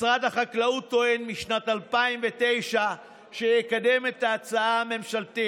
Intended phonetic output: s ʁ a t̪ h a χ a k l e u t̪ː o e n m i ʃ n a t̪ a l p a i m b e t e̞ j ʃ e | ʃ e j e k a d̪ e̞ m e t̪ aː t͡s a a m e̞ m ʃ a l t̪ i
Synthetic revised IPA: s ʁ a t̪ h a χ a k l a u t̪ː o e n m i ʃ n a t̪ a l p a i m v e t e̞ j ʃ a | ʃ e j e k a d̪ e̞ m e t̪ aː t͡s a a m e̞ m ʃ a l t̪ i